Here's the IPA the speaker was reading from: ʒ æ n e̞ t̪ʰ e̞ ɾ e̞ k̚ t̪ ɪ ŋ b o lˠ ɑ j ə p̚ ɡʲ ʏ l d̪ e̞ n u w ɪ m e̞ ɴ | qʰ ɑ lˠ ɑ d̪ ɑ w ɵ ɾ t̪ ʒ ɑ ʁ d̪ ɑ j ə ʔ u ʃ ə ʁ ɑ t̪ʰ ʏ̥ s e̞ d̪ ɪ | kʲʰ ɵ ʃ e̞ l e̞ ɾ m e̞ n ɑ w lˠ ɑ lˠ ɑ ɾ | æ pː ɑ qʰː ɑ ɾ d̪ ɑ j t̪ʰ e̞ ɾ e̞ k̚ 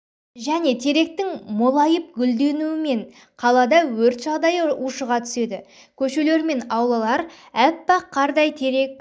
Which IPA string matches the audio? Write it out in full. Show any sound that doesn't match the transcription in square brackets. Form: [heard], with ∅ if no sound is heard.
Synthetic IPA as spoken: ʒ æ n e̞ t̪ʰ e̞ ɾ e̞ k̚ t̪ ɪ ŋ [m] o lˠ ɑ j ə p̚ ɡʲ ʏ l d̪ e̞ n u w ɪ m e̞ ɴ | qʰ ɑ lˠ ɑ d̪ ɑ w ɵ ɾ t̪ ʒ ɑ ʁ d̪ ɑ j ə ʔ u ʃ ə ʁ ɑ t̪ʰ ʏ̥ s e̞ d̪ ɪ | kʲʰ ɵ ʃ e̞ l e̞ ɾ m e̞ n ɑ w lˠ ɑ lˠ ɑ ɾ | æ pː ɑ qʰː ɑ ɾ d̪ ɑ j t̪ʰ e̞ ɾ e̞ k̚